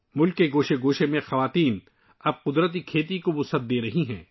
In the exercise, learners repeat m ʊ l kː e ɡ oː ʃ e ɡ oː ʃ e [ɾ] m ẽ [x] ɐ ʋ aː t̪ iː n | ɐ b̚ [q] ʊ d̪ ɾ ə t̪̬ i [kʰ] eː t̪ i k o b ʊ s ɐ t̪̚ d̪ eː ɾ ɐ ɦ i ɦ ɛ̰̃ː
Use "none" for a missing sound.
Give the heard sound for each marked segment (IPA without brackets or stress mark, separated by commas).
none, x, q, kʰ